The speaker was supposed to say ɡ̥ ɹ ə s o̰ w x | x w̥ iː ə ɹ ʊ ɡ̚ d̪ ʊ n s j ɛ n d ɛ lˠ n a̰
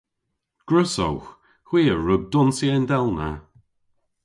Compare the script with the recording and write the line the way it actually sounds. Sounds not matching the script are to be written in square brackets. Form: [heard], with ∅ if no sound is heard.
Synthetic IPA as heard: ɡ̥ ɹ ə s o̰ w x | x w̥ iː ə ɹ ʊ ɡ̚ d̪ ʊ n s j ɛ n d ɛ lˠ n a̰